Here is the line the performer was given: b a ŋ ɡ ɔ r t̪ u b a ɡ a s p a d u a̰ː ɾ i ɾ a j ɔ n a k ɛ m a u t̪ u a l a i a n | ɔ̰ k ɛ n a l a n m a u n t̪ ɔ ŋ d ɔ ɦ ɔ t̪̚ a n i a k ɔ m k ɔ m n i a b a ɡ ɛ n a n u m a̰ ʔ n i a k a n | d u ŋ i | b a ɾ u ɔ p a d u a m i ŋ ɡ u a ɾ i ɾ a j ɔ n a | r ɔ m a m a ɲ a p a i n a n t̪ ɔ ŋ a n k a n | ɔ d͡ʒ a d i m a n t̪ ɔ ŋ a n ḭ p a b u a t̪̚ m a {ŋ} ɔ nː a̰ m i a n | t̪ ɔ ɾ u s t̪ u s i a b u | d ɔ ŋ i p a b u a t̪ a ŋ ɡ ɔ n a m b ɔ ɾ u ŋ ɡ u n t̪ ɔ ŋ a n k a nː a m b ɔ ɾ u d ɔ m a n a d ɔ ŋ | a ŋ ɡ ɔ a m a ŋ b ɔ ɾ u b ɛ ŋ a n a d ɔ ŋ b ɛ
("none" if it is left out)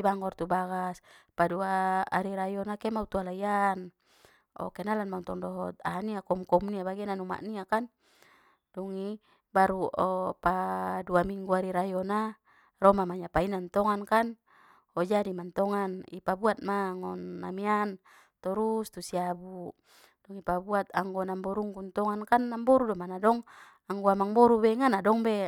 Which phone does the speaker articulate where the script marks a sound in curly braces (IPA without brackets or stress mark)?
ŋ